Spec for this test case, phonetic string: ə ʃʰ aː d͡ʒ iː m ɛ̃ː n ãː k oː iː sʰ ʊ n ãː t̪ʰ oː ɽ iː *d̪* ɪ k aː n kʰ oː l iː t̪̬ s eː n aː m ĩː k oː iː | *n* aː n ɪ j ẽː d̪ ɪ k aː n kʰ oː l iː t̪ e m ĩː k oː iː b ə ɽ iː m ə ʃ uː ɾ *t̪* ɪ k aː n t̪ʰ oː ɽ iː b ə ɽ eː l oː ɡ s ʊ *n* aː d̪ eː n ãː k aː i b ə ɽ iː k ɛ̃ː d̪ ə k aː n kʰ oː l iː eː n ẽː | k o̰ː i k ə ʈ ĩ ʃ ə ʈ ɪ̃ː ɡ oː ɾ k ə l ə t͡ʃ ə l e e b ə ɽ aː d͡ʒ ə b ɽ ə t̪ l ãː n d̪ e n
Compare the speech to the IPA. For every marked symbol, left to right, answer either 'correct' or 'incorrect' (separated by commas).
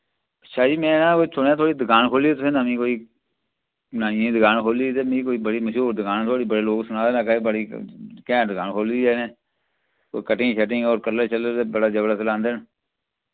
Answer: correct, correct, incorrect, correct